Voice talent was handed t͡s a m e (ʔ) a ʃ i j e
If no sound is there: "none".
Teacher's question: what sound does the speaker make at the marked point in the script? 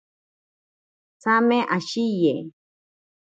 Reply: ʔ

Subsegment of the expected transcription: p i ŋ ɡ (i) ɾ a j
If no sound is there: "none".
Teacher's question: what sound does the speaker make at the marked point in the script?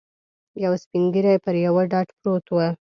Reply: i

